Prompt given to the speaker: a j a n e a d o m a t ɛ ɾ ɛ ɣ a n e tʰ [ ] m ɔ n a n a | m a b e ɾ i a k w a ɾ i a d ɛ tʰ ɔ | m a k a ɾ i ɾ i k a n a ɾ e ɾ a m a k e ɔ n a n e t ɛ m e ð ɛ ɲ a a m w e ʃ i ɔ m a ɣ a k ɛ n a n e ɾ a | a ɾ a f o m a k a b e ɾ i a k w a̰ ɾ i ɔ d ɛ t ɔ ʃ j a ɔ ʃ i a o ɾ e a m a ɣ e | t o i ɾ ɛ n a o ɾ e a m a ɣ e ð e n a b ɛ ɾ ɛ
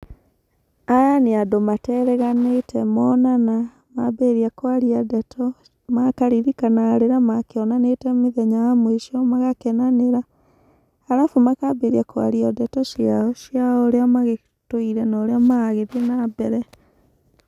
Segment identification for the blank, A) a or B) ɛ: B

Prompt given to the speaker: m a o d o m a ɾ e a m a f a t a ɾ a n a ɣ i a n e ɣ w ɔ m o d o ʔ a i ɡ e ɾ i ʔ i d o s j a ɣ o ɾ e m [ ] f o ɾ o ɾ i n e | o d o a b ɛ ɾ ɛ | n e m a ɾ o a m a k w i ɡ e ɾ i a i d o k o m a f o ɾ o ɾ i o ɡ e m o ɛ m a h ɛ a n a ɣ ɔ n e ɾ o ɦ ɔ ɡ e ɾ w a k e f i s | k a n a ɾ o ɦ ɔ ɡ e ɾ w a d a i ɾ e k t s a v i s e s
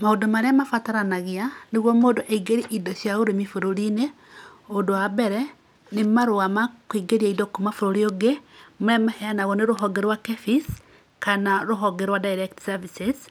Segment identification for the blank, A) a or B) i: B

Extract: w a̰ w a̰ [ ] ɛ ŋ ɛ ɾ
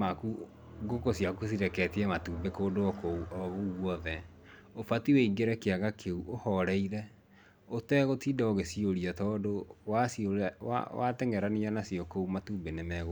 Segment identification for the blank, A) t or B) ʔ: A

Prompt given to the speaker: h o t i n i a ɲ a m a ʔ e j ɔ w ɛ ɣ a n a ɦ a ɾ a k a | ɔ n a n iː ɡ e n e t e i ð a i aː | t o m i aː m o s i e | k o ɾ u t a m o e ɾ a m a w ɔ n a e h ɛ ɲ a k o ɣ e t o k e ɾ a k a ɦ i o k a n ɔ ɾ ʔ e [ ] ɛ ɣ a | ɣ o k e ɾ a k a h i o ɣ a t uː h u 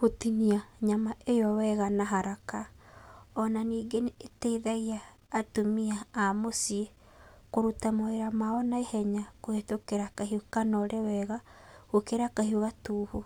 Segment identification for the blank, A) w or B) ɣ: A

